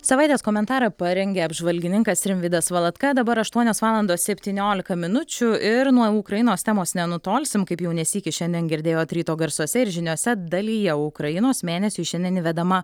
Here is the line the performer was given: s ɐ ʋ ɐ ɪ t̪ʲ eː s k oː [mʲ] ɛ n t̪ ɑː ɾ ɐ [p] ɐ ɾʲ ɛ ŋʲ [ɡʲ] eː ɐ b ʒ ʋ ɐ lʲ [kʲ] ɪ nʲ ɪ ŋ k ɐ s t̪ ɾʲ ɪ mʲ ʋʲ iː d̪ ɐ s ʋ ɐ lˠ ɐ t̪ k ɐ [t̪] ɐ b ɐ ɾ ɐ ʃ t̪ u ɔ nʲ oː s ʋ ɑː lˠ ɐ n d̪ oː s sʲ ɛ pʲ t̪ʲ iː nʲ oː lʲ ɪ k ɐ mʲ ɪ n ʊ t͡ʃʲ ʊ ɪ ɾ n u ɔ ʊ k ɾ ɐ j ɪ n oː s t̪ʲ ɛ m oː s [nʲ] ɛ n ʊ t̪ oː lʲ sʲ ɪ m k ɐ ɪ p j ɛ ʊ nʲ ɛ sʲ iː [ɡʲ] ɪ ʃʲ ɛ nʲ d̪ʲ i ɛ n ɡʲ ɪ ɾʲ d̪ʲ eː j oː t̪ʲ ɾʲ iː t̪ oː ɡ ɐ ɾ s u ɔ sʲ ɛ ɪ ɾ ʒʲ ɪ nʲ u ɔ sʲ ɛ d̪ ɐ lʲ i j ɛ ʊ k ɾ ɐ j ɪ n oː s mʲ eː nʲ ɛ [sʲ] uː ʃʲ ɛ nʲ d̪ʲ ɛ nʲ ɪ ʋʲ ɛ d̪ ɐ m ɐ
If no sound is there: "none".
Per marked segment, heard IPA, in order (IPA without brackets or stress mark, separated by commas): mʲ, p, ɡʲ, ɡʲ, d̪, nʲ, kʲ, sʲ